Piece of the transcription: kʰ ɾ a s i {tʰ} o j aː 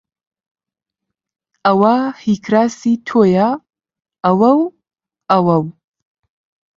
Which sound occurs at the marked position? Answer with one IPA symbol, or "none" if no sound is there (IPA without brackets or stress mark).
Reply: tʰ